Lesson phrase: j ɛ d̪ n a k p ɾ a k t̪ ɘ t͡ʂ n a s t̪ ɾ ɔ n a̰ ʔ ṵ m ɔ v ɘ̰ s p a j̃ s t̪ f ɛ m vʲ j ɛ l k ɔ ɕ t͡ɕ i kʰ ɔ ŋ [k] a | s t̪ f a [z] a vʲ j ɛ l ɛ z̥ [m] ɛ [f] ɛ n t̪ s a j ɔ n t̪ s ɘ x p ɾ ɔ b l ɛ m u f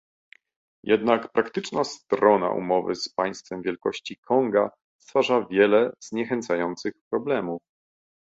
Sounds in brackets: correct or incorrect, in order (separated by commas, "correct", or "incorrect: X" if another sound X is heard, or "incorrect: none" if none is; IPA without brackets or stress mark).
incorrect: ɡ, incorrect: ʐ, incorrect: ɲ, incorrect: x